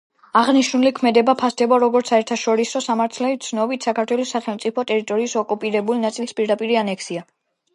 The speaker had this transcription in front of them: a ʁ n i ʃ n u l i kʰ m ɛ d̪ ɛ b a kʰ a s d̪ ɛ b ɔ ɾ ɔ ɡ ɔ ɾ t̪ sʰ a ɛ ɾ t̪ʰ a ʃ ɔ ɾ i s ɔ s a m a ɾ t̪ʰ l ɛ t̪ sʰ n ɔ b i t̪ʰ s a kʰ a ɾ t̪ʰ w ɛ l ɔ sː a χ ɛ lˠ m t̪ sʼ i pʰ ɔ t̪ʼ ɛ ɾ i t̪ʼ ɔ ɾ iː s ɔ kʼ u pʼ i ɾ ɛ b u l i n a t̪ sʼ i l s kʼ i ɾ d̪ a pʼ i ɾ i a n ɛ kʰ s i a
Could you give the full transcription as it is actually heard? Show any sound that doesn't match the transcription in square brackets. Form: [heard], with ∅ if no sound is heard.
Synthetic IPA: a ʁ n i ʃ n u l i kʰ m ɛ d̪ ɛ b a [pʰ] a s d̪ ɛ b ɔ ɾ ɔ ɡ ɔ ɾ t̪ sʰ a ɛ ɾ t̪ʰ a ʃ ɔ ɾ i s ɔ s a m a ɾ t̪ʰ l ɛ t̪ sʰ n ɔ b i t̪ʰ s a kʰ a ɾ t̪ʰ w ɛ l ɔ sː a χ ɛ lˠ m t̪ sʼ i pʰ ɔ t̪ʼ ɛ ɾ i t̪ʼ ɔ ɾ iː s ɔ kʼ u pʼ i ɾ ɛ b u l i n a t̪ sʼ i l s [pʼ] i ɾ d̪ a pʼ i ɾ i a n ɛ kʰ s i a